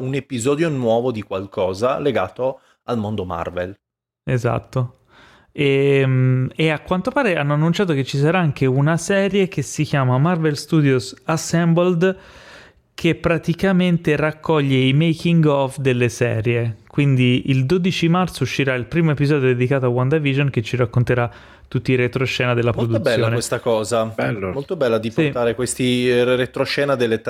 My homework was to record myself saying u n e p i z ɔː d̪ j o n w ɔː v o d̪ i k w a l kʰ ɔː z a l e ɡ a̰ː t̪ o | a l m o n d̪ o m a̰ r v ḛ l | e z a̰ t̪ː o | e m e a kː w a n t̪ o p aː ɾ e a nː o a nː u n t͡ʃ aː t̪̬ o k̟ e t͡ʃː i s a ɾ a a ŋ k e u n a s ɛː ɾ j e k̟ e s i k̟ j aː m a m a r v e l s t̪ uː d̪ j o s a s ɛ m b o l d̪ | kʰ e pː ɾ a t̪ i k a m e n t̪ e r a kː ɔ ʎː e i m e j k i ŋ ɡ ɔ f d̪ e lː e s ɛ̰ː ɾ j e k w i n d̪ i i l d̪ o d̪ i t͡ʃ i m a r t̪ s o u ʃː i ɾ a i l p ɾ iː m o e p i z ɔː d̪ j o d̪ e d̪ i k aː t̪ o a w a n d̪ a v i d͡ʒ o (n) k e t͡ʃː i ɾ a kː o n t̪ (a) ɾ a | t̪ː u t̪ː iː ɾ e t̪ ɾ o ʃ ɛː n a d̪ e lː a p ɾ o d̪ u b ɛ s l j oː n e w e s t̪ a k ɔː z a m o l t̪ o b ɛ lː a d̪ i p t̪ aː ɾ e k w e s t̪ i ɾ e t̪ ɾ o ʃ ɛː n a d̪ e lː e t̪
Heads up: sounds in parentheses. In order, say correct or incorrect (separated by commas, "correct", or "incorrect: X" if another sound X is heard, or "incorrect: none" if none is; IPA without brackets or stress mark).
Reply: correct, incorrect: e